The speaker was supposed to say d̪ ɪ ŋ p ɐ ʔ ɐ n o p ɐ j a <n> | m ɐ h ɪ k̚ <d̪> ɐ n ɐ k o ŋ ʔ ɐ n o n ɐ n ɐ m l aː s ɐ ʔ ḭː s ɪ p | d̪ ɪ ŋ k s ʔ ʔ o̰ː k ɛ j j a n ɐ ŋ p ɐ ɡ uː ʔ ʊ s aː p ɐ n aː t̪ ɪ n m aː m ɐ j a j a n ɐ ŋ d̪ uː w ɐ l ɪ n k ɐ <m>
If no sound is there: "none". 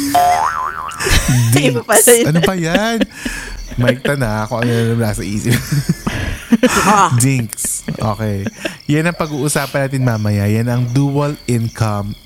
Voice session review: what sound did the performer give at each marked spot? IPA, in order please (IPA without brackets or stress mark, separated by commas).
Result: n, t̪, m